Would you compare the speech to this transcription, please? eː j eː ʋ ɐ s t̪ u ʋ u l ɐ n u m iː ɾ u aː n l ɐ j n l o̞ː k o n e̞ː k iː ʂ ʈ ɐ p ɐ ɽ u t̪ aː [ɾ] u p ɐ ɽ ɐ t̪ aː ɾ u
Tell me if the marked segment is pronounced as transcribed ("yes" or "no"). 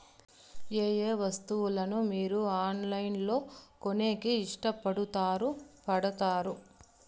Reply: yes